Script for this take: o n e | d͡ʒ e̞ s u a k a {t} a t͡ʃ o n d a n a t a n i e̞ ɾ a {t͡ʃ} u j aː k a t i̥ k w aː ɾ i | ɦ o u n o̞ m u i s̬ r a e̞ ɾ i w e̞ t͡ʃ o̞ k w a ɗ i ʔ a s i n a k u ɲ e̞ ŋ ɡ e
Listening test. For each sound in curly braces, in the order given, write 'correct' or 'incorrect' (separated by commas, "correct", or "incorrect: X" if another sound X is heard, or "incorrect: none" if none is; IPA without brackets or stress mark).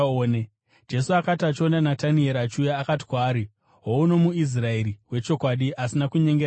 correct, correct